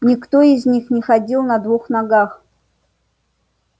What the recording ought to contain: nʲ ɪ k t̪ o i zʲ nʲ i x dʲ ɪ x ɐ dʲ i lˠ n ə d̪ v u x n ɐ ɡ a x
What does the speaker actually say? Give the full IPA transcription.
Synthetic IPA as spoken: nʲ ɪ k t̪ o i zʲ nʲ i x nʲ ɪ x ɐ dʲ i lˠ n ɐ d̪ v u x n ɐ ɡ a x